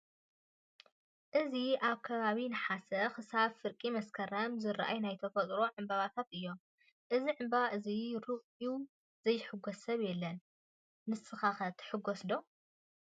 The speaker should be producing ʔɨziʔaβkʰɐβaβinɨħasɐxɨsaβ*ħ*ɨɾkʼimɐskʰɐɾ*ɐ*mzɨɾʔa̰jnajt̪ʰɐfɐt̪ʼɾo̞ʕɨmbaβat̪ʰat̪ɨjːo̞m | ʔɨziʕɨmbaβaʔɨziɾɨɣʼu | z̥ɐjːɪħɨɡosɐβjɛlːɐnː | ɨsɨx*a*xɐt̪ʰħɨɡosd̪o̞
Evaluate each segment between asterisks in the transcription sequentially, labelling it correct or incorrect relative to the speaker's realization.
incorrect: f, correct, correct

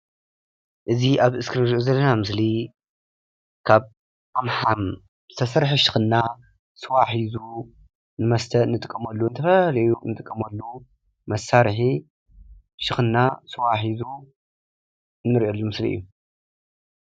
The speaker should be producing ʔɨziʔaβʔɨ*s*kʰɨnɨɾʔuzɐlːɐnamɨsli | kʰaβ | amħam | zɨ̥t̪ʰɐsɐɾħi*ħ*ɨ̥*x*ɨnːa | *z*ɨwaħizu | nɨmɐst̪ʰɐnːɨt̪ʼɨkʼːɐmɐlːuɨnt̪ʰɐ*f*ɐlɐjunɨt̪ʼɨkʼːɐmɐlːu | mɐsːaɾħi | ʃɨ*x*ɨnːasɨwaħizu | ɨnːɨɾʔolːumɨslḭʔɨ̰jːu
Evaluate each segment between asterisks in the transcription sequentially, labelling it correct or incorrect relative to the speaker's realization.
correct, incorrect: ʃ, correct, incorrect: s, correct, correct

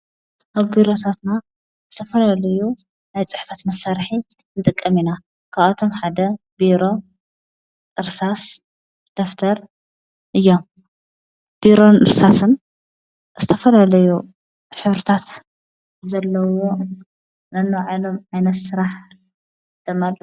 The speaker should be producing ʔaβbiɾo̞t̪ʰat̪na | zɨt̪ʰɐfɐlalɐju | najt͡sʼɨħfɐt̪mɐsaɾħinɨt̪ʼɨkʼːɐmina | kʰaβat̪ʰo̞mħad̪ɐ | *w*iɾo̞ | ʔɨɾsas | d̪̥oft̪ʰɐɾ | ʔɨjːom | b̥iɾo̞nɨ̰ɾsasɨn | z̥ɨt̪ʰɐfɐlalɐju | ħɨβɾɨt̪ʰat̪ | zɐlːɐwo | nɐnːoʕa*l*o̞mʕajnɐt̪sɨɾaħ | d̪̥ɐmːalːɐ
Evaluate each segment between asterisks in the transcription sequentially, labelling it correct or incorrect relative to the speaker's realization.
incorrect: b, correct

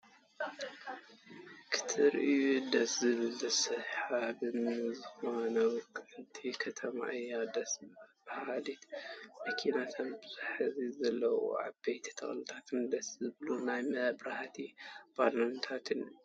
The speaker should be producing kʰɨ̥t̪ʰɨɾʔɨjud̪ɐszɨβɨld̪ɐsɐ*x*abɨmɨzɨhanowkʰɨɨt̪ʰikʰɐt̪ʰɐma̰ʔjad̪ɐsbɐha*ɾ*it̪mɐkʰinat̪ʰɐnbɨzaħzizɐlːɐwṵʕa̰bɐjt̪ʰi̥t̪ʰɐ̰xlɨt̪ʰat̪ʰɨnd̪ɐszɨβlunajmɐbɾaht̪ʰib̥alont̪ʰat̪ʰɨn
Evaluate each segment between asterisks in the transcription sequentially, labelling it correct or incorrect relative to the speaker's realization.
incorrect: ħ, incorrect: l

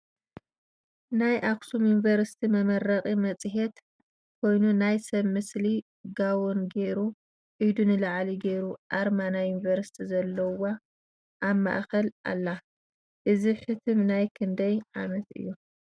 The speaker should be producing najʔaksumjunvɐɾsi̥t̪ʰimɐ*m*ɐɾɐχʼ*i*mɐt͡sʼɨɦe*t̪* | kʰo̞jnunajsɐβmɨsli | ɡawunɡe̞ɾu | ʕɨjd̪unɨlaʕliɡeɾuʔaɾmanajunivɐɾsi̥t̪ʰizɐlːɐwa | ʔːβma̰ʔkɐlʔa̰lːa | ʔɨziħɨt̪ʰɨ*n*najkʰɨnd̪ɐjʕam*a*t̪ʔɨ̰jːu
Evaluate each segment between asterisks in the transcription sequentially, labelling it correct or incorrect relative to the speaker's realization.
correct, correct, correct, incorrect: m, incorrect: ɐ

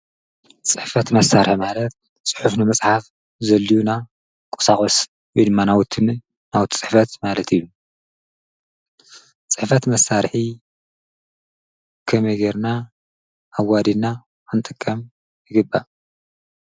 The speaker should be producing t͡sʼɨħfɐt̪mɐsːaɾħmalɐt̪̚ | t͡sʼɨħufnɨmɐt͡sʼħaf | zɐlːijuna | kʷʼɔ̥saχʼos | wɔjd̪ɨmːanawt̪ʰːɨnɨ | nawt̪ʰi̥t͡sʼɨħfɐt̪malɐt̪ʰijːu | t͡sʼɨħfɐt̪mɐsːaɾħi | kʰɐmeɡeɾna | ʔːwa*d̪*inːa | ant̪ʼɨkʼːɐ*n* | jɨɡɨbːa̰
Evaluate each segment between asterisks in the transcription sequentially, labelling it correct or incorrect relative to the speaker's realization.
correct, incorrect: m

